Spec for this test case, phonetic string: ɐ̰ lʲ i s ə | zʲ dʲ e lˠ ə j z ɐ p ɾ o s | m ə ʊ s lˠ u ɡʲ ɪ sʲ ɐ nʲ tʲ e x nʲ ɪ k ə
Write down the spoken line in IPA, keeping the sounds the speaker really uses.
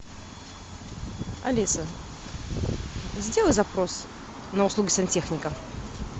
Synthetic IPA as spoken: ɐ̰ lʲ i s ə | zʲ dʲ e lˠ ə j z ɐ p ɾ o s | n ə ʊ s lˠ u ɡʲ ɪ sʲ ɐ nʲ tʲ e x nʲ ɪ k ə